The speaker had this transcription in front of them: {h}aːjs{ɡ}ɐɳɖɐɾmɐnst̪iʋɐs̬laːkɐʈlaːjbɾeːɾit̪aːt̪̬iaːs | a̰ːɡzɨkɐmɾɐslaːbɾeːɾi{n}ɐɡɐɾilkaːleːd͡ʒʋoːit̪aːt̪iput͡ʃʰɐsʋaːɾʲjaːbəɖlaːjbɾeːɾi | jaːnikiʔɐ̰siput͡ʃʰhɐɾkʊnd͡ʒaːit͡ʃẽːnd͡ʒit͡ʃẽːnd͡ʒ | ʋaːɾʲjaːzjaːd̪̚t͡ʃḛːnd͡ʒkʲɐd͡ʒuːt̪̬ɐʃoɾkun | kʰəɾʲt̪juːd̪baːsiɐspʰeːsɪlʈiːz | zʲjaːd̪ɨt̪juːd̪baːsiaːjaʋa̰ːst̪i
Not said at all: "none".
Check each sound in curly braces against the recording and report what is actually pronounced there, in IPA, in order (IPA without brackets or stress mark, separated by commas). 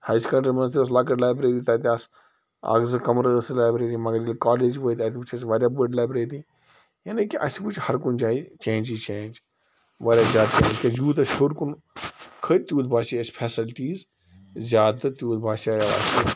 h, k, m